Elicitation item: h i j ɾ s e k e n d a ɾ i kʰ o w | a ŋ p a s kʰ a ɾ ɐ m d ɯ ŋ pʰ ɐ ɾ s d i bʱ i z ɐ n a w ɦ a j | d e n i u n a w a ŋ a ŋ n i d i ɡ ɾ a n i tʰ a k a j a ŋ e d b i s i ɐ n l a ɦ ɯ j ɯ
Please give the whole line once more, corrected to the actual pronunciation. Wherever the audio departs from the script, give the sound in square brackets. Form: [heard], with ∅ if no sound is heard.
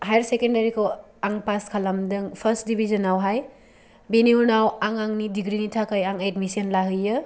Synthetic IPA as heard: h [a] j ɾ s e k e n d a ɾ i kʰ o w | a ŋ p a s kʰ a [l] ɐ m d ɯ ŋ pʰ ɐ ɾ s d i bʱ i z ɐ n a w ɦ a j | [b] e n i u n a w a ŋ a ŋ n i d i ɡ ɾ [i] n i tʰ a k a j a ŋ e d [m] i s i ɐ n l a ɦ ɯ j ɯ